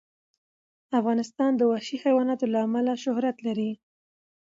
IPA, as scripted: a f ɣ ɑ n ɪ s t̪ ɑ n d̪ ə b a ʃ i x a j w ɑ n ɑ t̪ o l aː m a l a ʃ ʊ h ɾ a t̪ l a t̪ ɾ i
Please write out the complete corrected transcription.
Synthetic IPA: a f ɣ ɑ n ɪ s t̪ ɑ n d̪ ə w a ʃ i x a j w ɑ n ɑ t̪ o l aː m a l a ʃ ʊ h ɾ a t̪ l a ɾ i